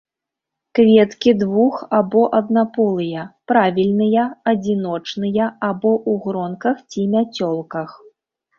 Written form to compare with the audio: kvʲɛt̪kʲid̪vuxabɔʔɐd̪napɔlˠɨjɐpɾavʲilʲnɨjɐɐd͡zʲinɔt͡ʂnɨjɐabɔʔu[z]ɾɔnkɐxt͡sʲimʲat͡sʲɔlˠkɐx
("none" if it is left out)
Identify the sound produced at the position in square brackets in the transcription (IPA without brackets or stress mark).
ɣ